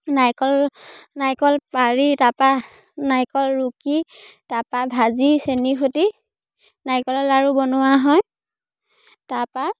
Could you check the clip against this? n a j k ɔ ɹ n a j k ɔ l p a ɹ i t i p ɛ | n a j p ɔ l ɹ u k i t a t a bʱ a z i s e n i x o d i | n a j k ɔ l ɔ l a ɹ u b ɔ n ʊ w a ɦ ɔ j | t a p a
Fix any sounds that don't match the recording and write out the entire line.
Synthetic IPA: n a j k ɔ l n a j k ɔ l p a ɹ i t a p a | n a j k ɔ l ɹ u k i t a p a bʱ a z i s e n i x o t i | n a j k ɔ l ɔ l a ɹ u b ɔ n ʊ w a ɦ ɔ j | t a p a